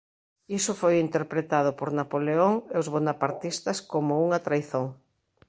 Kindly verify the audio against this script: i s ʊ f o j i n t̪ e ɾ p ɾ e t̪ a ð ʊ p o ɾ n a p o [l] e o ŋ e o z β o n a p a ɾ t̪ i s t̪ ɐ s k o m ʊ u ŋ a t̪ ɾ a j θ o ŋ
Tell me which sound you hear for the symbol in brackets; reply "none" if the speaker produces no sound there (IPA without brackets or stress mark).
l